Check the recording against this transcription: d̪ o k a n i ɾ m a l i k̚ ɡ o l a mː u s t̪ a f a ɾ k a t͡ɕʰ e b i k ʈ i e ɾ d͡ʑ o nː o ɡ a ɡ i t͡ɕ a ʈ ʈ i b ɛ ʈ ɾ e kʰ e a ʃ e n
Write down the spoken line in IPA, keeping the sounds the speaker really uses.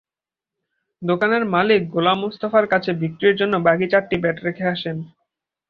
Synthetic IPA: d̪ o k a n e ɾ m a l i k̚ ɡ o l a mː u s t̪ a f a ɾ k a t͡ɕʰ e b i k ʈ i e ɾ d͡ʑ o nː o b a ɡ i t͡ɕ a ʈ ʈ i b ɛ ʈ ɾ e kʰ e a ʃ e n